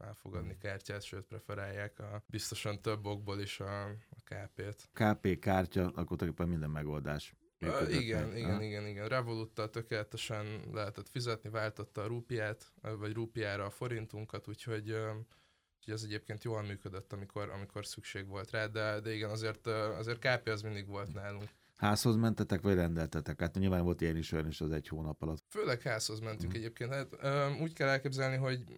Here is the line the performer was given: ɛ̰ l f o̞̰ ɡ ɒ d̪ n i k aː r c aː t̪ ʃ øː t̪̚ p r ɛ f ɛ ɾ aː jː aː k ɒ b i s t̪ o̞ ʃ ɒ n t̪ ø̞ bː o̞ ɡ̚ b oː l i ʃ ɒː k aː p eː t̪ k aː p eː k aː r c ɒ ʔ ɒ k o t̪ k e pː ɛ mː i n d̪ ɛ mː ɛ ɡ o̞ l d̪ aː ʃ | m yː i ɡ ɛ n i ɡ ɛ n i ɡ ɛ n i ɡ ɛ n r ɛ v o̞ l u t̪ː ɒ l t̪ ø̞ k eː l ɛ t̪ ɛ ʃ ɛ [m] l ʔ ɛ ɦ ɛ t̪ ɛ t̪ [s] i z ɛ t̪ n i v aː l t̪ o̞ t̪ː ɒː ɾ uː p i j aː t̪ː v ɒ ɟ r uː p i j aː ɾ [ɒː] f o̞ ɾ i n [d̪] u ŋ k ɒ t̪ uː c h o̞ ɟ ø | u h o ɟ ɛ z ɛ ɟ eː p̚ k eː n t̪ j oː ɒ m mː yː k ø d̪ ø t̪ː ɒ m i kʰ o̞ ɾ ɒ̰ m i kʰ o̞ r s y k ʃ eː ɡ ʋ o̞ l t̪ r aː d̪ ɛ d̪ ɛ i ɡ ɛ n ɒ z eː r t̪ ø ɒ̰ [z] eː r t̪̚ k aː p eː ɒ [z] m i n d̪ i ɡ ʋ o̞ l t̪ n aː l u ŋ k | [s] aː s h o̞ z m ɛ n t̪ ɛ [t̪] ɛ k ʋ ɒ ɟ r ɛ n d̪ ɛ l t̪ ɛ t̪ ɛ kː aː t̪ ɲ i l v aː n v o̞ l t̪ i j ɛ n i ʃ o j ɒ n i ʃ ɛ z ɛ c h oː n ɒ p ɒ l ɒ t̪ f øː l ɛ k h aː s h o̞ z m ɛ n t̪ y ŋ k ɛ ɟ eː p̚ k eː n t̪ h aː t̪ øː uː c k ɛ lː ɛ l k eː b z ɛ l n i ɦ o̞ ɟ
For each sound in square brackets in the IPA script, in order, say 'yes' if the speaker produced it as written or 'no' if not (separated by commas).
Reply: no, no, yes, no, yes, yes, no, yes